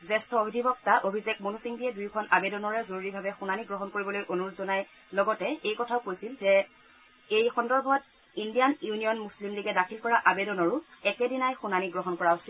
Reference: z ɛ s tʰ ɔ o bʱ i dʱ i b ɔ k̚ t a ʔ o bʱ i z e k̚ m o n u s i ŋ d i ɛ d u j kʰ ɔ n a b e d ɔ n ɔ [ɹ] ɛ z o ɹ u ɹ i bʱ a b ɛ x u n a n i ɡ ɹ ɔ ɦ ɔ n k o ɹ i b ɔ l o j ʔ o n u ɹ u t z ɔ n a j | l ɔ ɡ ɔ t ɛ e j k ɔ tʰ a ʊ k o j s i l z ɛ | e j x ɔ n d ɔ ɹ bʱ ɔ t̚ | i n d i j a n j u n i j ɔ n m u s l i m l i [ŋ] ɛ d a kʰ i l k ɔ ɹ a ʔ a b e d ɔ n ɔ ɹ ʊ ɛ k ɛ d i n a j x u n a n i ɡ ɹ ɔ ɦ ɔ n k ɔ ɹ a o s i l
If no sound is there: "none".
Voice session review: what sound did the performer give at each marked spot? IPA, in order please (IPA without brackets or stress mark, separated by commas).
ɹ, ɡ